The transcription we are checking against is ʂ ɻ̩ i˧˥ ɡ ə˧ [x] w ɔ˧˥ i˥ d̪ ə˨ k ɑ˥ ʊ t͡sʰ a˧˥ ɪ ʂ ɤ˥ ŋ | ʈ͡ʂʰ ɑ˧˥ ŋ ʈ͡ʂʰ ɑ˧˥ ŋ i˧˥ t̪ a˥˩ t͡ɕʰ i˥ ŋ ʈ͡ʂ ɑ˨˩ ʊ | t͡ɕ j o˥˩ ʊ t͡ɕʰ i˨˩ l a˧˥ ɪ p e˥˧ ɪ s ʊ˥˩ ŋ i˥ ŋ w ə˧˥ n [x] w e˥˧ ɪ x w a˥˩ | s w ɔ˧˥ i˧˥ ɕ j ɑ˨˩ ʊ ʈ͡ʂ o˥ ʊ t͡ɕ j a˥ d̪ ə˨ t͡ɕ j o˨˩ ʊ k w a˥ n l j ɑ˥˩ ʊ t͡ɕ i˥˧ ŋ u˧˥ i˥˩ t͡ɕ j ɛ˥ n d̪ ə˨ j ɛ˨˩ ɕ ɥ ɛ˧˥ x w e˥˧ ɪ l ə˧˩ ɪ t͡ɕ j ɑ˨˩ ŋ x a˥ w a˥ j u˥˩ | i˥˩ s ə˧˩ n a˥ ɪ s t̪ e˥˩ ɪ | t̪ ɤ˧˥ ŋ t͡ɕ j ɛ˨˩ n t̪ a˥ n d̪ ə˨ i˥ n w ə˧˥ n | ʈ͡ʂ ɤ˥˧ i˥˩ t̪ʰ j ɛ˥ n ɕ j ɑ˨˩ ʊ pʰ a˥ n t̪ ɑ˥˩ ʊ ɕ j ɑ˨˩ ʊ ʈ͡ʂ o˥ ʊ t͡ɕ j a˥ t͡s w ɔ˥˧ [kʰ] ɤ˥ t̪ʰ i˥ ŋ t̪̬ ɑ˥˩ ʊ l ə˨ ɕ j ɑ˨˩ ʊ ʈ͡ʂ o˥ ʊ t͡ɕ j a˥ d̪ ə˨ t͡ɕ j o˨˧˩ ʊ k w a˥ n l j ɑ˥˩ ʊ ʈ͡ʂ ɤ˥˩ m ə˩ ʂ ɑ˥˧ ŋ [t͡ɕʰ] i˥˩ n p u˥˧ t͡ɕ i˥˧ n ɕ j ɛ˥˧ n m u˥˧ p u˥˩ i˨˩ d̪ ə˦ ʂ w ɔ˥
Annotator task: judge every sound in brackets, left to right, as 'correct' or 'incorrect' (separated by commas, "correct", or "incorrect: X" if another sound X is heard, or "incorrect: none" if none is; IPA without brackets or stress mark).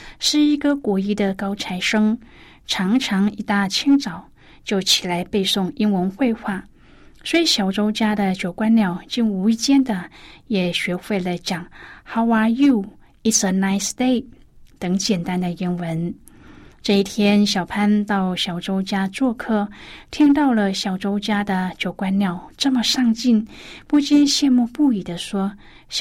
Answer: incorrect: k, correct, correct, incorrect: t͡ɕ